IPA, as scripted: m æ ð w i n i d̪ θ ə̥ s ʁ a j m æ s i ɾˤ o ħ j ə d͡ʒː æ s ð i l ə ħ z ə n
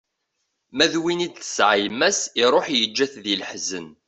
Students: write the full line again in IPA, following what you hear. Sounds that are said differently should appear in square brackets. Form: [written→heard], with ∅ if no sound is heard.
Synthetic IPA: m æ ð w i n i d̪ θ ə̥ s [ʁ→ʕ] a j m æ s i ɾˤ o ħ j ə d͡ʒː æ [s→θ] ð i l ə ħ z ə n